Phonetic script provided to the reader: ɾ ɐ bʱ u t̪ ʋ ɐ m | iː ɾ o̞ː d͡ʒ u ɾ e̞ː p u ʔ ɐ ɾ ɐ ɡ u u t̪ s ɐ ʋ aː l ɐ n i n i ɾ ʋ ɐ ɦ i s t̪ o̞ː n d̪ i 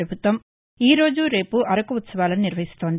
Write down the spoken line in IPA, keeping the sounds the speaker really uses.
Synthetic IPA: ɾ ɐ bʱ u t̪ ʋ ɐ m | iː ɾ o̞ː d͡ʒ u ɾ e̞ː p u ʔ ɐ ɾ ɐ k u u t̪ s ɐ ʋ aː l ɐ n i n i ɾ ʋ ɐ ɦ i s t̪ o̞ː n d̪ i

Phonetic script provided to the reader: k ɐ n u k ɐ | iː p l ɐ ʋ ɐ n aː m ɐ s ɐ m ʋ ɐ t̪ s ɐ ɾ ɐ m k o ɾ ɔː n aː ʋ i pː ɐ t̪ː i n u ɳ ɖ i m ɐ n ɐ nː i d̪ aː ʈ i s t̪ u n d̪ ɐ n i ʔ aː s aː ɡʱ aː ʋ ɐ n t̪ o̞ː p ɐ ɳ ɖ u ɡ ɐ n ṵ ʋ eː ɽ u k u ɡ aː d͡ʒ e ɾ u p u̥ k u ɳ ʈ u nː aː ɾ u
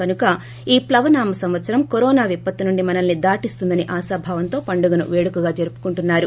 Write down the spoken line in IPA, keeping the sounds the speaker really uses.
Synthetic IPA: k ɐ n u k ɐ | iː p l ɐ ʋ ɐ n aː m ɐ s ɐ m ʋ ɐ t̪ s ɐ ɾ ɐ m k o ɾ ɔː n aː ʋ i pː ɐ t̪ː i n u ɳ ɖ i m ɐ n ɐ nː i d̪ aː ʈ i s t̪ u n d̪ ɐ n i ʔ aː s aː bʱ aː ʋ ɐ n t̪ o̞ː p ɐ ɳ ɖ u ɡ ɐ n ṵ ʋ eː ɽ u k u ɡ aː d͡ʒ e ɾ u p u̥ k u ɳ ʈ u nː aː ɾ u

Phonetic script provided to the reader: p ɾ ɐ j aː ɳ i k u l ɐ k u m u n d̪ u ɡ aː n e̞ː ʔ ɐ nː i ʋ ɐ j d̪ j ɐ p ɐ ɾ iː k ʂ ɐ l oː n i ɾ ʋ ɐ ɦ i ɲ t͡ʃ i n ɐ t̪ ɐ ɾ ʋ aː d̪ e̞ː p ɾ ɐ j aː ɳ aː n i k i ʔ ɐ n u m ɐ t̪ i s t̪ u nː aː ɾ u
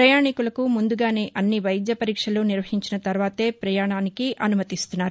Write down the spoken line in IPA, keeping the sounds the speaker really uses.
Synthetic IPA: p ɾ ɐ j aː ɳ i k u l ɐ k u m u n d̪ u ɡ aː n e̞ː ʔ ɐ nː i ʋ ɐ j d̪ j ɐ p ɐ ɾ iː k ʂ ɐ l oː n i ɾ ʋ ɐ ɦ i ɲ t͡ʃ i n ɐ t̪ ɐ ɾ ʋ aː t̪ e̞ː p ɾ ɐ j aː ɳ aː n i k i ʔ ɐ n u m ɐ t̪ i s t̪ u nː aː ɾ u

